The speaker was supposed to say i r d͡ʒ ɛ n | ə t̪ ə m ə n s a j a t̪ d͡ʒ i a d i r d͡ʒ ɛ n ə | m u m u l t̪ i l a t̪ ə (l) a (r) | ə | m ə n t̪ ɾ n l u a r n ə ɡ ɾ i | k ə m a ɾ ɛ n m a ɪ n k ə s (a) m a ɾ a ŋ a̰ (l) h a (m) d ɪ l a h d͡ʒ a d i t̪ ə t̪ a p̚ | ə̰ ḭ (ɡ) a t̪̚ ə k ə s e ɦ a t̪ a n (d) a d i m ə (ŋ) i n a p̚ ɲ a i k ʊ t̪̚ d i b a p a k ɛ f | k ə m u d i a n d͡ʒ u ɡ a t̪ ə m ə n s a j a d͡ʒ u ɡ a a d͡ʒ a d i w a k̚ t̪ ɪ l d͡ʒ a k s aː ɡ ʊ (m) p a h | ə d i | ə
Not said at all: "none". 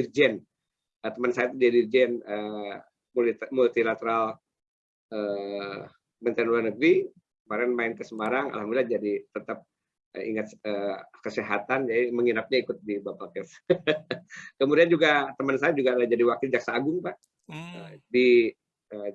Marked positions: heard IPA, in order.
ɾ, l, ə, l, m, ŋ, d͡ʒ, ŋ, ŋ

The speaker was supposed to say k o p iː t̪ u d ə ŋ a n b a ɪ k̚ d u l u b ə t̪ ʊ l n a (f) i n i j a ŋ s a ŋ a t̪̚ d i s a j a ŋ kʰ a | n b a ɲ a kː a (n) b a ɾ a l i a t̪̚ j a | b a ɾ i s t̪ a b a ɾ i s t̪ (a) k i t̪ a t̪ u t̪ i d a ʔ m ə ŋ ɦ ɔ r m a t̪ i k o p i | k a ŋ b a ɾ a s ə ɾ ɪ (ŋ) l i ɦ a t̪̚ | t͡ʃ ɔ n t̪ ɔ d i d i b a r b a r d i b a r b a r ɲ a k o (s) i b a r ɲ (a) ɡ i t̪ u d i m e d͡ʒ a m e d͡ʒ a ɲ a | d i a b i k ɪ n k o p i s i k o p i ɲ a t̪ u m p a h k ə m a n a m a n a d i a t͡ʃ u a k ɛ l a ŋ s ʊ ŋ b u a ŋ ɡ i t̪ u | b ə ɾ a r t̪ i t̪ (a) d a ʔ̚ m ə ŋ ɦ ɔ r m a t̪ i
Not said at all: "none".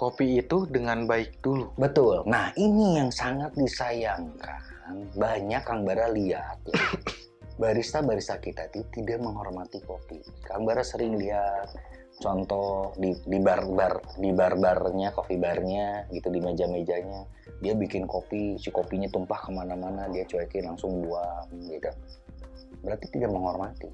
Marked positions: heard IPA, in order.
h, ŋ, a, ŋ, f, a, i

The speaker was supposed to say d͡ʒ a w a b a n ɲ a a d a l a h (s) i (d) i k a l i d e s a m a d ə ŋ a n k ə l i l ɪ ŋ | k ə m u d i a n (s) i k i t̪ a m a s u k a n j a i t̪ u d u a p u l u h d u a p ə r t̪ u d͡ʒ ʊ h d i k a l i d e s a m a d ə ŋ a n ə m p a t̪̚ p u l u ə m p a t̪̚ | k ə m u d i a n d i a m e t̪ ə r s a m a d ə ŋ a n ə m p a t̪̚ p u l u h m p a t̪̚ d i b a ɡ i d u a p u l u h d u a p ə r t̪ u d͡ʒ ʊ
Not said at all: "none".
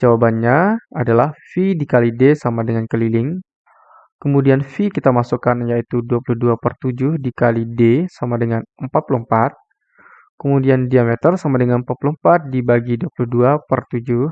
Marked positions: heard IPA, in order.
f, d, f

